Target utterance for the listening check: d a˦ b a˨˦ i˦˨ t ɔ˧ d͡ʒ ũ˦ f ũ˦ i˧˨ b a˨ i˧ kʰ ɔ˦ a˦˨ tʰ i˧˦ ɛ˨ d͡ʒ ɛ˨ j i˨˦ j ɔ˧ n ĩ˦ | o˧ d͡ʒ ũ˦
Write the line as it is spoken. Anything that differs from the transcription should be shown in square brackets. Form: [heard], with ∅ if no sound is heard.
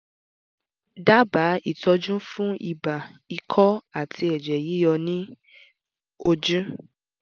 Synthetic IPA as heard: d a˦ b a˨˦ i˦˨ t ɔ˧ d͡ʒ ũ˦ f ũ˦ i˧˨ b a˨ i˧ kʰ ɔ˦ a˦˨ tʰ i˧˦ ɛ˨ d͡ʒ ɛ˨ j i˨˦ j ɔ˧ n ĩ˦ | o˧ d͡ʒ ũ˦